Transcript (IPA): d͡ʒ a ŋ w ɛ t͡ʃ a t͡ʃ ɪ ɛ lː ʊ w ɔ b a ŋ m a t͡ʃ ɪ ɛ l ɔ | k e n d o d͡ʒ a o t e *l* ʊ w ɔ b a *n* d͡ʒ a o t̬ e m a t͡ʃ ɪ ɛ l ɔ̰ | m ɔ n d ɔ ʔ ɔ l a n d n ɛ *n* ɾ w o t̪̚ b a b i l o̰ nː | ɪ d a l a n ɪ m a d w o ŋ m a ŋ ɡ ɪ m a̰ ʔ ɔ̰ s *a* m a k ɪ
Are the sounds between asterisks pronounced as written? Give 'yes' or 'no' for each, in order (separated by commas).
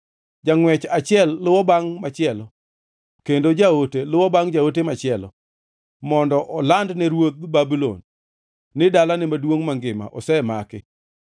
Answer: yes, no, no, no